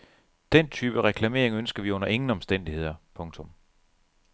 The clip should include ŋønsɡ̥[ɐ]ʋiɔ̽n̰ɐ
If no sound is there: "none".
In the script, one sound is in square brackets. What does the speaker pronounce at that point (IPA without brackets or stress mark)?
ɐ